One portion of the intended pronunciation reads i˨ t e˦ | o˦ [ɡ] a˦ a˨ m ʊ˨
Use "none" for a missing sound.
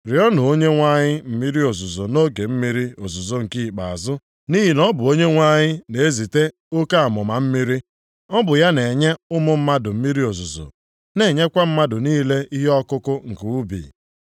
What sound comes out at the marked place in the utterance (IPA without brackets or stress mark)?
k